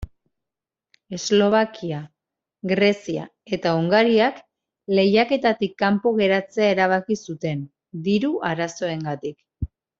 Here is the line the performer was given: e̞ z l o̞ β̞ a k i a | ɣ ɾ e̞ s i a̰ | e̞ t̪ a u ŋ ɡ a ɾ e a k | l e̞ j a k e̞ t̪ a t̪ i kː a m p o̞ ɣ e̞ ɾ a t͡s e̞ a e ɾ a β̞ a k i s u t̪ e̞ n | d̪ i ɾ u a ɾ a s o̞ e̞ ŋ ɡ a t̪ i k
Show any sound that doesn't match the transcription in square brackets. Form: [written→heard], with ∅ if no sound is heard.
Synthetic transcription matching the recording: e̞ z l o̞ β̞ a k i a | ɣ ɾ e̞ s i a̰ | e̞ t̪ a u ŋ ɡ a ɾ [e→i] a k | l e̞ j a k e̞ t̪ a t̪ i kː a m p o̞ ɣ e̞ ɾ a t͡s e̞ a e ɾ a β̞ a k i s u t̪ e̞ n | d̪ i ɾ u a ɾ a s o̞ e̞ ŋ ɡ a t̪ i k